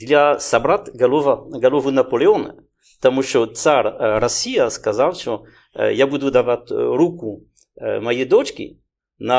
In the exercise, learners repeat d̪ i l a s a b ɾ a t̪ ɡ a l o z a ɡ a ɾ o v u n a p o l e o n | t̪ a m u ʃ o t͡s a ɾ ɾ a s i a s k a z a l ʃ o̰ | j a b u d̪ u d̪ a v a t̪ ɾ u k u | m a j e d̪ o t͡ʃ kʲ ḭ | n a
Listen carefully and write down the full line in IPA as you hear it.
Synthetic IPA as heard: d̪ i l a s a b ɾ a t̪ ɡ a l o v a ɡ a l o v u n a p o l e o n | t̪ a m u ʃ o t͡s a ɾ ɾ a s i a s k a z a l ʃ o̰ | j a b u d̪ u d̪ a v a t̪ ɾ u k u | m a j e d̪ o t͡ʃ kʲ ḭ | n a